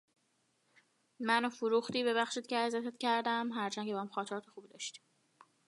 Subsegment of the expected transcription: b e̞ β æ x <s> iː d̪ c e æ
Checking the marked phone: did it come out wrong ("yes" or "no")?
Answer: yes